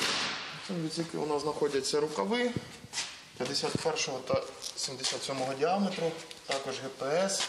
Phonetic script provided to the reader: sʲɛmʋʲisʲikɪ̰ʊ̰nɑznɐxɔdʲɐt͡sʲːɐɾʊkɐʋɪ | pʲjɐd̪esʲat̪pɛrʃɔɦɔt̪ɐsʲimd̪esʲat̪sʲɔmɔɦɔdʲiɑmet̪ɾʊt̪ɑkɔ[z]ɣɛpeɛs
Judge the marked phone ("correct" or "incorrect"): incorrect